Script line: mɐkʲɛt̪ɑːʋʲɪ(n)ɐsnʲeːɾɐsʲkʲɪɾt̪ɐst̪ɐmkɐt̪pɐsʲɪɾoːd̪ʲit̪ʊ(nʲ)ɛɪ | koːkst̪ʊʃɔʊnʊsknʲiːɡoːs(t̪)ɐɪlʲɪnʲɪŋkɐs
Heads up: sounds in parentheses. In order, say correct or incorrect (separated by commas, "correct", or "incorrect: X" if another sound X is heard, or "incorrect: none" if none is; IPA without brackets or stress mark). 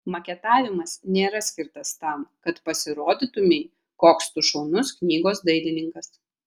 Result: incorrect: m, incorrect: mʲ, incorrect: d̪